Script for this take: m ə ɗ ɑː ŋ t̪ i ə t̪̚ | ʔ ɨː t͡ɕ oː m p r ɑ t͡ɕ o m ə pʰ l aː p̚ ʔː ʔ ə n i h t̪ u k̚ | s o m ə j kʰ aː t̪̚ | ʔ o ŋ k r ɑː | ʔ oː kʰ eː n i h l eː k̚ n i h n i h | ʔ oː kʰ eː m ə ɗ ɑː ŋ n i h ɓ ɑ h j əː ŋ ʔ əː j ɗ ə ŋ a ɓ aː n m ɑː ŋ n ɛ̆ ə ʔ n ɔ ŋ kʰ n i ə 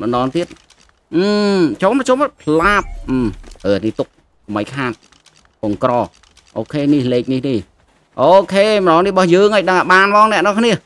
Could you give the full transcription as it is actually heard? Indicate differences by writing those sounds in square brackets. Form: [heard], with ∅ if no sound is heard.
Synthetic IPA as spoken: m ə ɗ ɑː ŋ t̪ i ə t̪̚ | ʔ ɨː t͡ɕ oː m p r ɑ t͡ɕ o m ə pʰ l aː p̚ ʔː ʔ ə n i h t̪ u k̚ | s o m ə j kʰ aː t̪̚ | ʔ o ŋ k r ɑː | ʔ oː kʰ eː n i h l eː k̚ n i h n i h | ʔ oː kʰ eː m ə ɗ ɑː ŋ n i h ɓ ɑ h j əː ŋ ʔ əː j ɗ ə ŋ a ɓ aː n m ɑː ŋ n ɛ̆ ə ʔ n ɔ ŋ kʰ n i ə